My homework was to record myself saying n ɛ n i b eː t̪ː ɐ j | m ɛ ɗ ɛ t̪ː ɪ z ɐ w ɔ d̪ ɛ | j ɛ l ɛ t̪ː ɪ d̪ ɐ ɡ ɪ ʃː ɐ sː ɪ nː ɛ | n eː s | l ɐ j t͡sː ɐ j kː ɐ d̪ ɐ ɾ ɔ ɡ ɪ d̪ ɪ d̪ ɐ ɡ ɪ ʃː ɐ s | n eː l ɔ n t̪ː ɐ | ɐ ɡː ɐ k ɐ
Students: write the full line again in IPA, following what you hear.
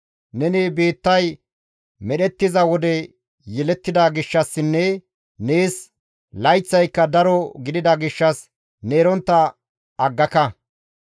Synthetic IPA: n ɛ n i b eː t̪ː ɐ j | m ɛ ɗ ɛ t̪ː ɪ z ɐ w ɔ d̪ ɛ | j ɛ l ɛ t̪ː ɪ d̪ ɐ ɡ ɪ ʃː ɐ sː ɪ nː ɛ | n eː s | l ɐ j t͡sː ɐ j kː ɐ d̪ ɐ ɾ ɔ ɡ ɪ d̪ ɪ d̪ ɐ ɡ ɪ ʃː ɐ s | n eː ɾ ɔ n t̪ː ɐ | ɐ ɡː ɐ k ɐ

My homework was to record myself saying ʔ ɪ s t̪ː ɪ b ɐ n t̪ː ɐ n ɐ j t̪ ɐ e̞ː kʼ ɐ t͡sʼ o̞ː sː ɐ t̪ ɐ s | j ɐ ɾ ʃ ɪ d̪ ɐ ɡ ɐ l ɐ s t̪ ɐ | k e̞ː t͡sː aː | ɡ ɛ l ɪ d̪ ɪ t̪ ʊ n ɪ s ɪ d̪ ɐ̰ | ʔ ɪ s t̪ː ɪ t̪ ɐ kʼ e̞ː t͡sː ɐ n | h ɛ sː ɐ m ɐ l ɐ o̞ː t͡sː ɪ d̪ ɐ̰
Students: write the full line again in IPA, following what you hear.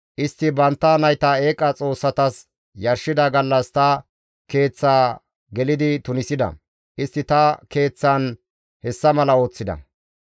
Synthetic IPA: ʔ ɪ s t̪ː ɪ b ɐ n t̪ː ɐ n ɐ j t̪ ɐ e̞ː kʼ ɐ t͡sʼ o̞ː sː ɐ t̪ ɐ s | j ɐ ɾ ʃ ɪ d̪ ɐ ɡ ɐ lː ɐ s t̪ ɐ | k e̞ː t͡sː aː | ɡ ɛ l ɪ d̪ ɪ t̪ ʊ n ɪ s ɪ d̪ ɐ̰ | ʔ ɪ s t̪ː ɪ t̪ ɐ k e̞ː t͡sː ɐ n | h ɛ sː ɐ m ɐ l ɐ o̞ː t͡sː ɪ d̪ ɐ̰

